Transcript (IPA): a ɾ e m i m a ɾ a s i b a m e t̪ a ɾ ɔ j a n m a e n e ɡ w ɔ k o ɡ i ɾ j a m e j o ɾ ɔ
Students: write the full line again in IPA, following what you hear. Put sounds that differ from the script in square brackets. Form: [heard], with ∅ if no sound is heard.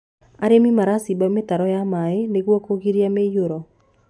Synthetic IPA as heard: a ɾ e m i m a ɾ a s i b a m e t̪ a ɾ ɔ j a [∅] m a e n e ɡ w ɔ k o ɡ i ɾ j a m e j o ɾ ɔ